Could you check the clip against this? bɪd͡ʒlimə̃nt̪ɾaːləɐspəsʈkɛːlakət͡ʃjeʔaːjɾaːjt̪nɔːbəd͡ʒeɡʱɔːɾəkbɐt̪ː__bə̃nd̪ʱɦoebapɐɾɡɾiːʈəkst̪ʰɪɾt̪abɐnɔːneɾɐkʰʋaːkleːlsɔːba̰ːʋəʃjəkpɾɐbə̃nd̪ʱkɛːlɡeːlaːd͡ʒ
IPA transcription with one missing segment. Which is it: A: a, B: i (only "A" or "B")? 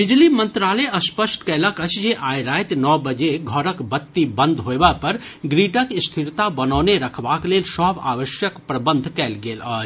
B